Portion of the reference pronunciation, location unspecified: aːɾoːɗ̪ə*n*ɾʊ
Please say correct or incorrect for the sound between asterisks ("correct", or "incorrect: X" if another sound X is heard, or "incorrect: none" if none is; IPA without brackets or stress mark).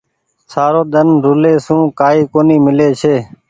correct